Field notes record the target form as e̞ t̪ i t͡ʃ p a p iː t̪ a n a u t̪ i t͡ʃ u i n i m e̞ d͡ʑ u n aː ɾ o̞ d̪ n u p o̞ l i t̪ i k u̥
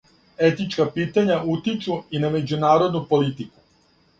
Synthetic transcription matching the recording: e̞ t̪ i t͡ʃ k a p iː t̪ a ɲ a u t̪ i t͡ʃ u i n a m e̞ d͡ʑ u n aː ɾ o̞ d̪ n u p o̞ l i t̪ i k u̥